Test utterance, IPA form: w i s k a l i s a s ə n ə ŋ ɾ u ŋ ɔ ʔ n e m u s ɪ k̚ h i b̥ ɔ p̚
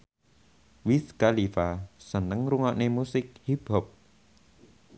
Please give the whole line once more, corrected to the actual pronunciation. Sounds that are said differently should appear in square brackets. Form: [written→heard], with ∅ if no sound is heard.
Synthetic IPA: w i s k a l i [s→f] a s ə n ə ŋ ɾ u ŋ ɔ ʔ n e m u s ɪ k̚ h i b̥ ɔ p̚